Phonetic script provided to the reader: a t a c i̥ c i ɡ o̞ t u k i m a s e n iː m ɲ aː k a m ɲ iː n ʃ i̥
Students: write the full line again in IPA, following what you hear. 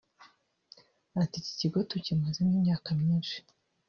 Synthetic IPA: a t i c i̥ c i ɡ o̞ t u c i m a z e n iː m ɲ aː k a m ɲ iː n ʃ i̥

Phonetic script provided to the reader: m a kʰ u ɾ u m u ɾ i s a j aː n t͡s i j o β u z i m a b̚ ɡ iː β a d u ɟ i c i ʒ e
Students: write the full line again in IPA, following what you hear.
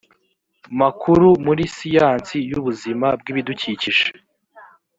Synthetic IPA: m a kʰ u ɾ u m u ɾ i s i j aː n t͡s i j u β u z i m a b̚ ɡ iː β i d u c i c i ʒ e

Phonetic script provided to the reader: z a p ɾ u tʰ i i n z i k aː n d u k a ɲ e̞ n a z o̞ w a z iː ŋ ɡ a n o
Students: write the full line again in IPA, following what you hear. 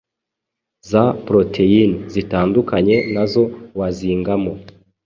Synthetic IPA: z a p ɾ o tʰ e i n z i t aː n d u k a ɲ e̞ n a z o̞ w a z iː ŋ ɡ a m o

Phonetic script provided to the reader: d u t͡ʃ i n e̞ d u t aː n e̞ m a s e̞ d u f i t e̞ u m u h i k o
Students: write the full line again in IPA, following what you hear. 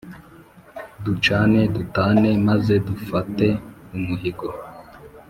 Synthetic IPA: d u t͡ʃ a n e̞ d u t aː n e̞ m a z e̞ d u f a t e̞ u m u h i ɡ o

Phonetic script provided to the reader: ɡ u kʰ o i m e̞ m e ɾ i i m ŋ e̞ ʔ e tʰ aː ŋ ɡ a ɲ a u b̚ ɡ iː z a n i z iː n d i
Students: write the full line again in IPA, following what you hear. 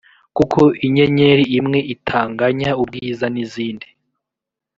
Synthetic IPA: k u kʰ o i ɲ e̞ ɲ e ɾ i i m ŋ e̞ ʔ i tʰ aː ŋ ɡ a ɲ a u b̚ ɡ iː z a n i z iː n d i

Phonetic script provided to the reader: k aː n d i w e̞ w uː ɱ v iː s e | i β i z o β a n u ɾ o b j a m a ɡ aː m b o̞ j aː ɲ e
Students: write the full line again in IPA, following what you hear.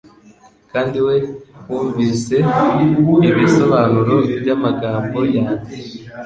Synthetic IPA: k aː n d i w e̞ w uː ɱ v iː s e | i β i s o β a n u ɾ o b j a m a ɡ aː m b o̞ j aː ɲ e

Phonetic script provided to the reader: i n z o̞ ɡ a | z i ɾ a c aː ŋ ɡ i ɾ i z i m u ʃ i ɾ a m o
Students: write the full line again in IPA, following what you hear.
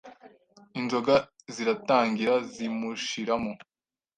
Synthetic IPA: i n z o̞ ɡ a | z i ɾ a t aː ŋ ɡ i ɾ a z i m u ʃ i ɾ a m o

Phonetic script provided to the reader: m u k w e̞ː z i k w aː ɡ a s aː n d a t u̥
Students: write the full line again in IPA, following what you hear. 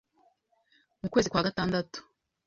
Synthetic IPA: m u k w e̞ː z i k w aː ɡ a t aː n d a t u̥

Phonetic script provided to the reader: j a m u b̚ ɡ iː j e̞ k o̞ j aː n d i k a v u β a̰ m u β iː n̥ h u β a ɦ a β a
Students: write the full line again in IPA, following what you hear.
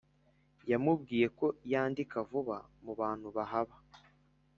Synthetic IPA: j a m u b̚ ɡ iː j e̞ k o̞ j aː n d i k a v u β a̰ m u β aː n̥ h u β a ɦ a β a

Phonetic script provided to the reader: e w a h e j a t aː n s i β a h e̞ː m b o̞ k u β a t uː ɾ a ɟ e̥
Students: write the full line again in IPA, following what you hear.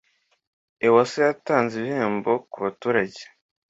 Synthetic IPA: e w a s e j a t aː n z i β i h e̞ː m b o̞ k u β a t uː ɾ a ɟ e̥

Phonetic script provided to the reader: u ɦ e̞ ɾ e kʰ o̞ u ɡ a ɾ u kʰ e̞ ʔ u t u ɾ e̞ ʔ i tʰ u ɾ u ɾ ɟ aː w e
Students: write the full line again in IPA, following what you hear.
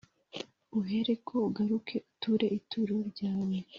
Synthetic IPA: u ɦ e̞ ɾ e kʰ o̞ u ɡ a ɾ u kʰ e̞ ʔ u t u ɾ e̞ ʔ i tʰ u ɾ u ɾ ɟ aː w e

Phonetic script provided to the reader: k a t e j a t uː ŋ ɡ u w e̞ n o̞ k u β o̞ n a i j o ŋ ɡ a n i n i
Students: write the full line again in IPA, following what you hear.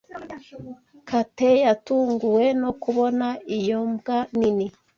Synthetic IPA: k a t e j a t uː ŋ ɡ u w e̞ n o̞ k u β o̞ n a i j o m ɡ a n i n i

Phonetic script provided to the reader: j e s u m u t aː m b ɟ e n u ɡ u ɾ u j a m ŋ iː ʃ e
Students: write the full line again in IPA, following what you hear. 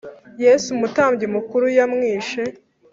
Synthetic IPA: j e s u m u t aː m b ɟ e m u k u ɾ u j a m ŋ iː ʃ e

